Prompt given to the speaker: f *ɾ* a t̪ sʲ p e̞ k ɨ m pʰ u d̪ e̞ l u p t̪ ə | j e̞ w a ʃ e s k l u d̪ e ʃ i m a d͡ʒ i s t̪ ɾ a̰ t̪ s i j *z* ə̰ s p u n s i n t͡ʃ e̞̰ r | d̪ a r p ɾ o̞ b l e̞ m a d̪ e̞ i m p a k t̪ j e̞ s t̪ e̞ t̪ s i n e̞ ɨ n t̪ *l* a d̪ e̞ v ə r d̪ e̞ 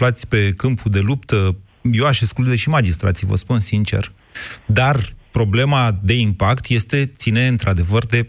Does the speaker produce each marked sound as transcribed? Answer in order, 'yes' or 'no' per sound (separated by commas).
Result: no, no, no